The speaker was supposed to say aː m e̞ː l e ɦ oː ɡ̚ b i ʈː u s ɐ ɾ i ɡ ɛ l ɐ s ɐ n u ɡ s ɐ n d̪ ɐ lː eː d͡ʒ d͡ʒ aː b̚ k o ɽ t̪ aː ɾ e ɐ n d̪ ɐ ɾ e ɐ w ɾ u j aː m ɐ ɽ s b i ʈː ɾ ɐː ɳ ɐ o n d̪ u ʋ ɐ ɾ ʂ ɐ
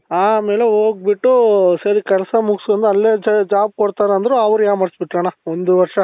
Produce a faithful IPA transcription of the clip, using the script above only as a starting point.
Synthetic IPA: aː m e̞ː l e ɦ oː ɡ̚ b i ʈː u s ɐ ɾ i k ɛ l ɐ s ɐ m u ɡ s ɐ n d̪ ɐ lː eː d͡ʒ d͡ʒ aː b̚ k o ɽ t̪ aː ɾ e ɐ n d̪ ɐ ɾ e ɐ ʋ ɾ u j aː m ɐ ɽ s b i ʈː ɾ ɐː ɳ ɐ o n d̪ u ʋ ɐ ɾ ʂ ɐ